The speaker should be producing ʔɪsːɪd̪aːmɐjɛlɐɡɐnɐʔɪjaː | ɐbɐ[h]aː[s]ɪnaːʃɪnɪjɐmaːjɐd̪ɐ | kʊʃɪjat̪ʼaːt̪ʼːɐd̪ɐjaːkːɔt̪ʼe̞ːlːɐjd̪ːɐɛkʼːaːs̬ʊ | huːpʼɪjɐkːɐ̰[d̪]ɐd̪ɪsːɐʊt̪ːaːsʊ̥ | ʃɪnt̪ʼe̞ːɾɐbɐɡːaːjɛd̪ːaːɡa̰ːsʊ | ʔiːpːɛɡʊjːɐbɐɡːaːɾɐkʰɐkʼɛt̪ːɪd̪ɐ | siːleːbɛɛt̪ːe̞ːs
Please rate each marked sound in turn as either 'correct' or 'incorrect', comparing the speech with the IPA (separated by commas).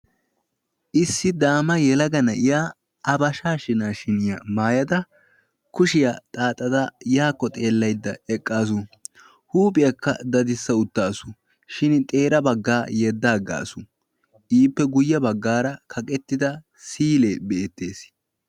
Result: incorrect, incorrect, correct